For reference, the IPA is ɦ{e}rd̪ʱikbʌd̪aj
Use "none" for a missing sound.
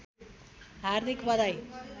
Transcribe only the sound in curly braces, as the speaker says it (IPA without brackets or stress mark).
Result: a